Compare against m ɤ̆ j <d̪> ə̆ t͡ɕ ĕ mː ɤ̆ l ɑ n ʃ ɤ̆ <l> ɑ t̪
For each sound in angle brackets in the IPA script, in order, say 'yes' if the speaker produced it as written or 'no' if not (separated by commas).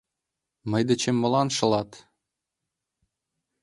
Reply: yes, yes